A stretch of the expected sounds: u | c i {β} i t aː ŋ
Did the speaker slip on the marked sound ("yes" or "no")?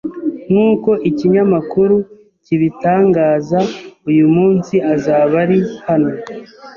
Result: no